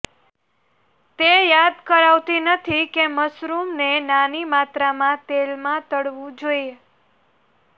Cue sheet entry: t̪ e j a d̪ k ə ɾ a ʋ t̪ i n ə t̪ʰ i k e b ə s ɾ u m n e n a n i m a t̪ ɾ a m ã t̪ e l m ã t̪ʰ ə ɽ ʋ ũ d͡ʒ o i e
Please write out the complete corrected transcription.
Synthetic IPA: t̪ e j a d̪ k ə ɾ a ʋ t̪ i n ə t̪ʰ i k e m ə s ɾ u m n e n a n i m a t̪ ɾ a m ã t̪ e l m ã t̪ ə ɽ ʋ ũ d͡ʒ o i e